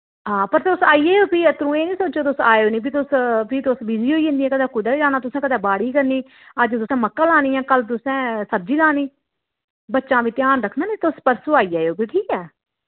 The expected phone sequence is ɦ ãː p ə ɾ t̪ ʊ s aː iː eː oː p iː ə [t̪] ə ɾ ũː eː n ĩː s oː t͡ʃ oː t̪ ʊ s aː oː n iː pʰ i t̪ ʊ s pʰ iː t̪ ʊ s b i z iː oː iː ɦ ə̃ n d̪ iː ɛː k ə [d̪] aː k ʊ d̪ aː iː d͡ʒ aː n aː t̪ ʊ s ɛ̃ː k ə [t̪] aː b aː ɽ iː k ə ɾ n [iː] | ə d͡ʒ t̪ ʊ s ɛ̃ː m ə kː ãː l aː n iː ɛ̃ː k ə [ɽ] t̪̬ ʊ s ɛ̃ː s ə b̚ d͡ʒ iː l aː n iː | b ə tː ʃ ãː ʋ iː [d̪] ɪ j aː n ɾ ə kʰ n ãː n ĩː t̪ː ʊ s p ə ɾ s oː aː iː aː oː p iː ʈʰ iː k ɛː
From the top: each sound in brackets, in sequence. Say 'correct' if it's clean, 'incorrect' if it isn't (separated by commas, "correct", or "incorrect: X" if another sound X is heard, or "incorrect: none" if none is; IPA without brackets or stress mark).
correct, correct, incorrect: d̪, correct, incorrect: l, incorrect: t̪